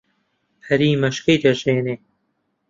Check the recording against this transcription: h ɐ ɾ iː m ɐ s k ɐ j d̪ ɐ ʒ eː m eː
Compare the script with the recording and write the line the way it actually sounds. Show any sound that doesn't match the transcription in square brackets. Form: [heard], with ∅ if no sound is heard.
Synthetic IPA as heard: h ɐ ɾ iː m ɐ [ʃ] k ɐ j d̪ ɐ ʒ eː [n] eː